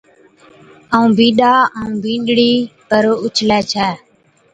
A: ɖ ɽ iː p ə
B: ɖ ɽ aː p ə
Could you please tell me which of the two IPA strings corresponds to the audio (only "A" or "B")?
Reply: A